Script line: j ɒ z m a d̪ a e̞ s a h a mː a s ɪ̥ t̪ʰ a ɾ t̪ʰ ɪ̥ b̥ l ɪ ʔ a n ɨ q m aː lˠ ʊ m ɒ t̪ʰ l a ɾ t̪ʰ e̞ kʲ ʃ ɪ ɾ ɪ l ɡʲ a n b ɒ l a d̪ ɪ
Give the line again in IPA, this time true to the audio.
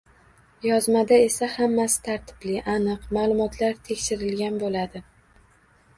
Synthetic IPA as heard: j ɒ z m a d̪ a e̞ s a h a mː a s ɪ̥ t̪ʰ a ɾ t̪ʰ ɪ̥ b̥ l ɪ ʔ a n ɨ q m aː lˠ ʊ m ɒ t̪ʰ l a ɾ t̪ʰ e̞ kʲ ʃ ɪ ɾ ɪ l ɡʲ a n b o l a d̪ ɪ